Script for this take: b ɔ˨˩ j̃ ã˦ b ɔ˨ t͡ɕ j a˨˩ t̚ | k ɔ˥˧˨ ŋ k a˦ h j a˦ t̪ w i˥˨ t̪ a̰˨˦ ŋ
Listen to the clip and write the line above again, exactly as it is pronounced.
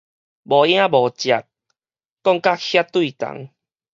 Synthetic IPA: b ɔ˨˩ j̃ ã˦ b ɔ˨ t͡ɕ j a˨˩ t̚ | k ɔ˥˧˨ ŋ k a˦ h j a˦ t̪ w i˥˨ t̪ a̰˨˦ ŋ